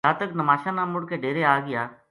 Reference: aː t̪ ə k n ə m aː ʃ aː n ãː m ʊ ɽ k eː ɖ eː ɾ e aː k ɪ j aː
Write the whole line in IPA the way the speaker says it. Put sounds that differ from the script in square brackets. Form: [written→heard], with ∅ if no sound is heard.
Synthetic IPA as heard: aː t̪ ə k n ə m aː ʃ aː n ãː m ʊ ɽ k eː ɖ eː ɾ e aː [k→ɡ] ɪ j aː